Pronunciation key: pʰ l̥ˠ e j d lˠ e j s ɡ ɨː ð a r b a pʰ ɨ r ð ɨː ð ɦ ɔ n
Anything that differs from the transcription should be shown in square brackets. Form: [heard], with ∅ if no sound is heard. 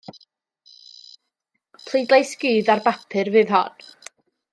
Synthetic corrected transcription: pʰ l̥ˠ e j d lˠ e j s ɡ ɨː ð a r b a pʰ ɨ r [v] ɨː ð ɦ ɔ n

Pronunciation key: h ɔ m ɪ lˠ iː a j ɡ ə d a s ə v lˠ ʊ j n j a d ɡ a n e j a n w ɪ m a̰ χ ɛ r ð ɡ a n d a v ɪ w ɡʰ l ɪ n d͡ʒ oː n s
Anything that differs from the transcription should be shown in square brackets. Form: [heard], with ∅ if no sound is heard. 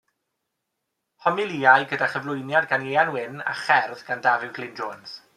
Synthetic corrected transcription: h ɔ m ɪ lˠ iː a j ɡ ə d a [χ] ə v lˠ ʊ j n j a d ɡ a n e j a n w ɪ [n] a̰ χ ɛ r ð ɡ a n d a v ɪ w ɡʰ l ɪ n d͡ʒ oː n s

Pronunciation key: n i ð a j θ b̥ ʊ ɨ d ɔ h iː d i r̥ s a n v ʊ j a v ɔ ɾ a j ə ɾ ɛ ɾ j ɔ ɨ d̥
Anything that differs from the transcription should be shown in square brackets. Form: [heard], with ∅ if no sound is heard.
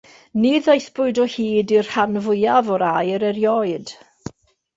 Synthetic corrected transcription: n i ð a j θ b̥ ʊ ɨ d ɔ h iː d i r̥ [h] a n v ʊ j a v ɔ ɾ a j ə ɾ ɛ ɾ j ɔ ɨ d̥

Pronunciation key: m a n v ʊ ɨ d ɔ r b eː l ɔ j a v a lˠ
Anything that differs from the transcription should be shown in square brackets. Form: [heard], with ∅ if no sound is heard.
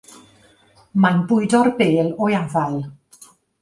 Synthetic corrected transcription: m a n [b] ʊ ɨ d ɔ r b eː l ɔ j a v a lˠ

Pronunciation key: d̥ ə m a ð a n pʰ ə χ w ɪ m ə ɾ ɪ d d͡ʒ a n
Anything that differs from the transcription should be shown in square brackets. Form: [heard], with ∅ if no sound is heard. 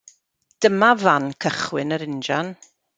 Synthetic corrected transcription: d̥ ə m a [v] a n [kʰ] ə χ w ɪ [n] ə ɾ ɪ [n] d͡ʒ a n

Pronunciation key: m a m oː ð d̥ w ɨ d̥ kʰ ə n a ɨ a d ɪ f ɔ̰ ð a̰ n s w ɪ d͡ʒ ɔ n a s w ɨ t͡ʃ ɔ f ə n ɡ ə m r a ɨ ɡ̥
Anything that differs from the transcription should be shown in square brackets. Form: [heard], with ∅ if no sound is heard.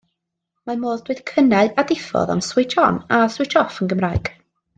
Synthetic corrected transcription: m a m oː ð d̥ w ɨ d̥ kʰ ə n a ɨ a d ɪ f ɔ̰ ð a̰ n s w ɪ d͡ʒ ɔ n a s w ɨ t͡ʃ ɔ f ə n ɡ ə m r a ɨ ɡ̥

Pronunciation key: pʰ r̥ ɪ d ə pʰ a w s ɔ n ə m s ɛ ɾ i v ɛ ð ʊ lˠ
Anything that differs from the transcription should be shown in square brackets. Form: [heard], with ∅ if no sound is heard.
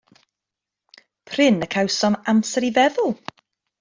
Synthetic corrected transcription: pʰ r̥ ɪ [n] ə [kʰ] a w s ɔ n [a] m s ɛ ɾ i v ɛ ð ʊ lˠ

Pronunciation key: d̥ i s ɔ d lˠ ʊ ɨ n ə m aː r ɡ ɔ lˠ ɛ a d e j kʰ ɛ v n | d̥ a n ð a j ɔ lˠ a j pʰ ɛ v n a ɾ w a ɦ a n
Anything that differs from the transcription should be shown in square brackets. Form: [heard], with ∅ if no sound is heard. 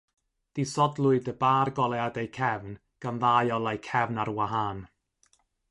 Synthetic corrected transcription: d̥ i s ɔ d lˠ ʊ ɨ [d] ə [b] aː r ɡ ɔ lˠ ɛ a d e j kʰ ɛ v n | [ɡ̥] a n ð a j ɔ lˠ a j [kʰ] ɛ v n a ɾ w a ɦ a n

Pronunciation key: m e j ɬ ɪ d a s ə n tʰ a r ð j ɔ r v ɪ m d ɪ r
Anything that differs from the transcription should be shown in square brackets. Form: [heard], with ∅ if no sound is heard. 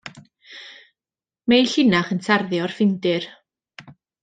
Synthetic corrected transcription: m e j ɬ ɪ [n] a [χ] ə n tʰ a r ð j ɔ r [f] ɪ [n] d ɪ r

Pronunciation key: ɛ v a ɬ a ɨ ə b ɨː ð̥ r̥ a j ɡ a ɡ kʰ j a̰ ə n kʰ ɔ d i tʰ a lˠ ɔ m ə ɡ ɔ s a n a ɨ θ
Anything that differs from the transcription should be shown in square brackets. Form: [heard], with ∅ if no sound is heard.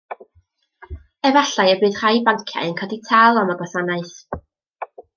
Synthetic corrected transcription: ɛ v a ɬ a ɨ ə b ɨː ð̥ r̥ a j [b] a [ŋ] kʰ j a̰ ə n kʰ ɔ d i tʰ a lˠ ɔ m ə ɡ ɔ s a n a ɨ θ

